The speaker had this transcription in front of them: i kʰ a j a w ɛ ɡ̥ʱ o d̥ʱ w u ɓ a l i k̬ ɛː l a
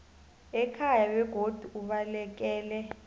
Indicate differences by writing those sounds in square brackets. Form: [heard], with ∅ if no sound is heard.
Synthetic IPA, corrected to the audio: [ɛ] kʰ a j a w ɛ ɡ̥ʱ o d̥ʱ [u] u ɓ a l [ɛ] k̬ ɛː l [ɛ]